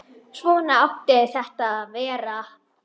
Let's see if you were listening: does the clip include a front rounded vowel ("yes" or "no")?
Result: no